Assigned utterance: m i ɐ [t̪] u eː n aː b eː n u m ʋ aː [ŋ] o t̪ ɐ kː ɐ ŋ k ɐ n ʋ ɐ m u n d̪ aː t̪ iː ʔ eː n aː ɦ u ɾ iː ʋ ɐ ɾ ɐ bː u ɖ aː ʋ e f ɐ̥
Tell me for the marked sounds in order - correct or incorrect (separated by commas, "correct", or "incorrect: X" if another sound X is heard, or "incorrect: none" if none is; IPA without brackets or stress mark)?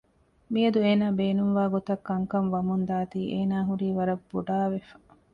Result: incorrect: d̪, incorrect: ɡ